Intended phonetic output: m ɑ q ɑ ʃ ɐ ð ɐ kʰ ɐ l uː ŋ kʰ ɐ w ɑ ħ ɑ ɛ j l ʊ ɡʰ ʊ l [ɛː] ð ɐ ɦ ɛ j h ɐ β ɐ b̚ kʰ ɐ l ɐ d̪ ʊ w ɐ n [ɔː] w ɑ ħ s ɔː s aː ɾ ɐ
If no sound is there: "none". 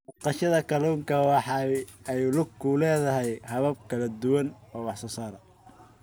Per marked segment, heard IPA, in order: ɛː, ɔː

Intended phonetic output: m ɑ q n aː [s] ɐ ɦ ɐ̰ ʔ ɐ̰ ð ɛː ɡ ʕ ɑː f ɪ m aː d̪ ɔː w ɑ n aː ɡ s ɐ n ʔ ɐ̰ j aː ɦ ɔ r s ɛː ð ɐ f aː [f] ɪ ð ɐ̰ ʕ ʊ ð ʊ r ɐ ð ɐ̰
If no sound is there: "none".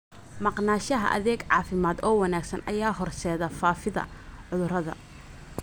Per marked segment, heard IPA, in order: ʃ, f

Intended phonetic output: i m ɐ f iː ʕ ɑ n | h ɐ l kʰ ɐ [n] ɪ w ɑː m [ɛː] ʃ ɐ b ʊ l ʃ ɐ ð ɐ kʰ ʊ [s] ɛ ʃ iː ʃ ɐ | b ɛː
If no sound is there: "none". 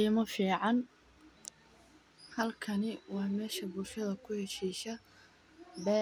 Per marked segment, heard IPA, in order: n, ɛː, h

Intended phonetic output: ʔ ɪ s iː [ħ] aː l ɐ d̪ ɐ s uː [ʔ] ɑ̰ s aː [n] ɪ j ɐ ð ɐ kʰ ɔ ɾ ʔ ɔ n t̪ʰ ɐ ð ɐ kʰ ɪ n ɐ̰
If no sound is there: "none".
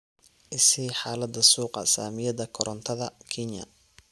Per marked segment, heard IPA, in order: ħ, q, m

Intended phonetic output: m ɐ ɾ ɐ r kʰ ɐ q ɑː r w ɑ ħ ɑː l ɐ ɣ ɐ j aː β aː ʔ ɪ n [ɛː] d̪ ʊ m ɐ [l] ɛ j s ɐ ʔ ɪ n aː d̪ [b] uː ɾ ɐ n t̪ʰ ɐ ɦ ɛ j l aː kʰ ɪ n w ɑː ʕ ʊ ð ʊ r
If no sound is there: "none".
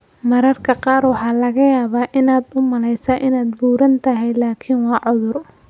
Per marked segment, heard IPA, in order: aː, l, b

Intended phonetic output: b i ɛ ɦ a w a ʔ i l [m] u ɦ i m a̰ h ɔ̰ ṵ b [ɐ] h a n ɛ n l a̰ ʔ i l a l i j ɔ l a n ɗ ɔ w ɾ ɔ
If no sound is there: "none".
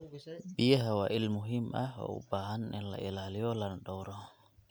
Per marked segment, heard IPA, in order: m, a

